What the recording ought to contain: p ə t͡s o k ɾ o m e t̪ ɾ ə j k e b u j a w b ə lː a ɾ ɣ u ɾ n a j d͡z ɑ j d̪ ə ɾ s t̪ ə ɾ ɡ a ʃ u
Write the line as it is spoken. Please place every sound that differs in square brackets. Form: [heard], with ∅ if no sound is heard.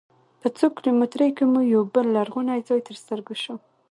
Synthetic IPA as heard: p ə t͡s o k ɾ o m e t̪ ɾ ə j k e [m] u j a w b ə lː a ɾ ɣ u [∅] n a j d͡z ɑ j [t̪] ə ɾ s t̪ ə ɾ ɡ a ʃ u

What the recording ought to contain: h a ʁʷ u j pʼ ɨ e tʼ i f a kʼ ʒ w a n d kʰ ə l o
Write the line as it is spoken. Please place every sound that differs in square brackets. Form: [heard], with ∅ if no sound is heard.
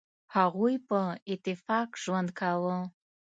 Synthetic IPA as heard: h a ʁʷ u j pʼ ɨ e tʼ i f a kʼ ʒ w a n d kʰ [a] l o

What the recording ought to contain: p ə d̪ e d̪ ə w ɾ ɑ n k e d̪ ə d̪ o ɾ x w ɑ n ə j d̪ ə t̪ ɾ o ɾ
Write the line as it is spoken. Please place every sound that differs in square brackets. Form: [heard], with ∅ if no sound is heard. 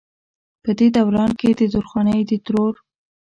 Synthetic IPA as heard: p ə d̪ e d̪ [a] w ɾ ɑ n k e d̪ ə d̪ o ɾ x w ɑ n ə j d̪ ə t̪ ɾ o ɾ

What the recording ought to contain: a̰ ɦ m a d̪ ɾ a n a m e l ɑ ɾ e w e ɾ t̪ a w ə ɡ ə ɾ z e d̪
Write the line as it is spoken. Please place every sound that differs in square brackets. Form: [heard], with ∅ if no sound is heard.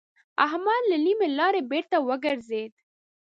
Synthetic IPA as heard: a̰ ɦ m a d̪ [l] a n [i] m e l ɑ ɾ e [b] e ɾ t̪ a w ə ɡ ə ɾ z e d̪

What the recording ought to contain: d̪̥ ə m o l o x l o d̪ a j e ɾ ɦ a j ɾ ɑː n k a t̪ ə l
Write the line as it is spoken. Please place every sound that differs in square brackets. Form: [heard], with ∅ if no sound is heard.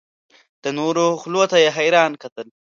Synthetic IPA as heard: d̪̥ ə [n] o [ɾ] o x l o [t̪] a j e [∅] ɦ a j ɾ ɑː n k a t̪ ə l

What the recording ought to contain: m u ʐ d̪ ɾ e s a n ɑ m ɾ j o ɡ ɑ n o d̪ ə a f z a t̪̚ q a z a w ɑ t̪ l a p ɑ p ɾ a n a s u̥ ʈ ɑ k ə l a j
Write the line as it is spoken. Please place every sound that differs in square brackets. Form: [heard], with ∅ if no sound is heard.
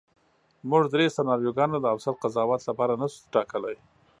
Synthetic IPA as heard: m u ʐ d̪ ɾ e s a n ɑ [∅] ɾ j o ɡ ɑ n o d̪ ə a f [s] a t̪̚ q a z [ɑ] w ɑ t̪ l a p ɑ [∅] ɾ a n a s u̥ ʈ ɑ k ə l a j

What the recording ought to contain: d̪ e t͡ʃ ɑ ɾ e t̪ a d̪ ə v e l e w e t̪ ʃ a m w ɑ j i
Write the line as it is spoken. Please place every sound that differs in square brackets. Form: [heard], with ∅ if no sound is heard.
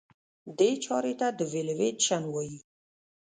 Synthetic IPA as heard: d̪ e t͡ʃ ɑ ɾ e t̪ a d̪ ə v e l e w e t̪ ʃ a [n] w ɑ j i

